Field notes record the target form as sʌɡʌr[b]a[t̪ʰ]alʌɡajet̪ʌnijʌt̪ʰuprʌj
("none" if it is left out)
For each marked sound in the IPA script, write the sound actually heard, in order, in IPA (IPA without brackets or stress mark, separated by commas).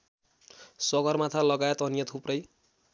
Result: m, t̪ʰ